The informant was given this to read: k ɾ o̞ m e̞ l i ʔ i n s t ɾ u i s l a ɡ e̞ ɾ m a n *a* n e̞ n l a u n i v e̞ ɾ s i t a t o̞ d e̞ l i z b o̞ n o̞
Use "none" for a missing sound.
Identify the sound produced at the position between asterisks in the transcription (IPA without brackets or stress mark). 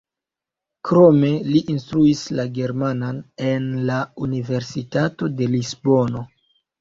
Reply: a